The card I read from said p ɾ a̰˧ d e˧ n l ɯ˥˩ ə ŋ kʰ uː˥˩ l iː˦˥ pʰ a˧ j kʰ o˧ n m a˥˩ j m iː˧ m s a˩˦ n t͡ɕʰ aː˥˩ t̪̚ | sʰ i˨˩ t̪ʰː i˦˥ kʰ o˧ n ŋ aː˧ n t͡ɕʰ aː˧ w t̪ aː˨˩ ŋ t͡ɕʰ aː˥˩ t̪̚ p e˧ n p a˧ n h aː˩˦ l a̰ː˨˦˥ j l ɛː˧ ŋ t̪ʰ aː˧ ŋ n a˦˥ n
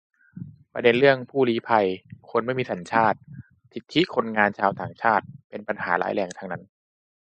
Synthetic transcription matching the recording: p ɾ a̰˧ d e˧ n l ɯ˥˩ ə ŋ pʰ uː˥˩ l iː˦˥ pʰ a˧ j kʰ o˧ n m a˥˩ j m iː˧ s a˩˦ n t͡ɕʰ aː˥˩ t̪̚ | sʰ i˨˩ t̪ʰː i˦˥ kʰ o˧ n ŋ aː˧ n t͡ɕʰ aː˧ w t̪ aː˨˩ ŋ t͡ɕʰ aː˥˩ t̪̚ p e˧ n p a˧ n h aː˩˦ l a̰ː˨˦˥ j l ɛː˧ ŋ t̪ʰ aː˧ ŋ n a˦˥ n